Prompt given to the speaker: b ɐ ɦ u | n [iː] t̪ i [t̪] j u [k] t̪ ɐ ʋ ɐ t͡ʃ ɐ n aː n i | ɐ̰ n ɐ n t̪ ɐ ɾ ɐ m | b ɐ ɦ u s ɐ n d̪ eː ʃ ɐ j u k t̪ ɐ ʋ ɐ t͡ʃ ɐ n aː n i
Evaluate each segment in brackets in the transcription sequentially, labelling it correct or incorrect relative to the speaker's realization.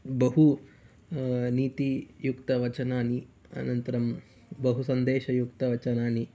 correct, incorrect: none, correct

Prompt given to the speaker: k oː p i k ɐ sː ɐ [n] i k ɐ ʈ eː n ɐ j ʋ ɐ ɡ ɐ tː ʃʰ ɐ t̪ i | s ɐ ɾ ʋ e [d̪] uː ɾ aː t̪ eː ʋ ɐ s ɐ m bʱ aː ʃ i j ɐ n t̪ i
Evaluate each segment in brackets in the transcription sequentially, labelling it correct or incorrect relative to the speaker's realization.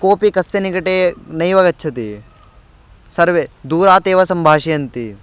correct, correct

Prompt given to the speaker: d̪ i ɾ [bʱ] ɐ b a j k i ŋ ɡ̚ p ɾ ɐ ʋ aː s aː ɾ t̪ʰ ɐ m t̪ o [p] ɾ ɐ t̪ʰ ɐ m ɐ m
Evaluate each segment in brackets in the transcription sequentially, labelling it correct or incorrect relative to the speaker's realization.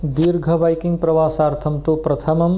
incorrect: ɡʱ, correct

